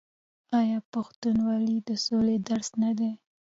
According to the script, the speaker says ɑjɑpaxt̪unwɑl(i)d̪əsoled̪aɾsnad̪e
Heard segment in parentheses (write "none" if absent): i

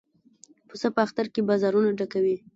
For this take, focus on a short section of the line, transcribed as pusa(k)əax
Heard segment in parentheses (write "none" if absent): p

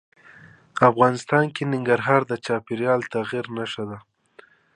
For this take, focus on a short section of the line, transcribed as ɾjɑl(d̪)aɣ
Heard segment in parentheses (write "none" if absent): t̪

